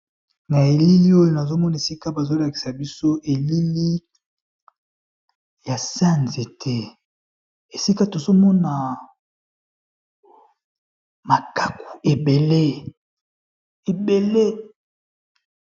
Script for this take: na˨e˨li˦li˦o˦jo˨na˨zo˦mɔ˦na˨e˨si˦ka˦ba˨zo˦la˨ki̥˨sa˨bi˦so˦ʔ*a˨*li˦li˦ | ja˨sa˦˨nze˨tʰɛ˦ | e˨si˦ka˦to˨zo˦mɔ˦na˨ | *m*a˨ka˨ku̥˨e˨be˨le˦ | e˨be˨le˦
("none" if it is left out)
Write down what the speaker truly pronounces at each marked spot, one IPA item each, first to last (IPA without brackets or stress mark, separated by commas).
e˨, m